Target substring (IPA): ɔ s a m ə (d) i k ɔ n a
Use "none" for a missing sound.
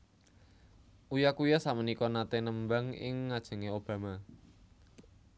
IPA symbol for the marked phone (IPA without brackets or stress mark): n